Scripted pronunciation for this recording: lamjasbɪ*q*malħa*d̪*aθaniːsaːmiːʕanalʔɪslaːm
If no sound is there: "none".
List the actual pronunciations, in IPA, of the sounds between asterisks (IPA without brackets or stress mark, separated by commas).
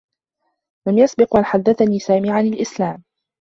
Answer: q, d̪ː